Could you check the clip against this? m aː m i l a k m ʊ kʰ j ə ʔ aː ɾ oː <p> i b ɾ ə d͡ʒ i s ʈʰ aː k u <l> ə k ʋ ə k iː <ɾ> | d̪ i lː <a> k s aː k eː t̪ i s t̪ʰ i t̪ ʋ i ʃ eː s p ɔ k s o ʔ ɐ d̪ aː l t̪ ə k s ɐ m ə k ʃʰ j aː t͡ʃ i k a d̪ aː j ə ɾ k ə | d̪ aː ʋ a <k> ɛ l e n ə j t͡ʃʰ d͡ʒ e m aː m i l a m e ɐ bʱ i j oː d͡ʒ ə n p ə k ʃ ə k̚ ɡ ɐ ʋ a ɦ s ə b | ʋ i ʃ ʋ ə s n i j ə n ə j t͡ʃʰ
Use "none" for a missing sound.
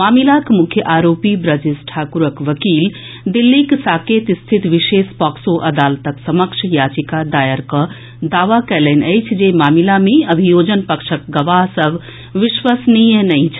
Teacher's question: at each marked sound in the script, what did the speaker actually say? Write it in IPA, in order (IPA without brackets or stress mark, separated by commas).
p, ɾ, l, i, k